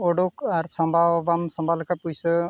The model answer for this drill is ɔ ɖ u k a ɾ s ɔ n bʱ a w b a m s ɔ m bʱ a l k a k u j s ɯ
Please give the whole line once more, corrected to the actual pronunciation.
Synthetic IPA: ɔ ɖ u k a ɾ s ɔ m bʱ a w b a m s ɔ m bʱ a l k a p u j s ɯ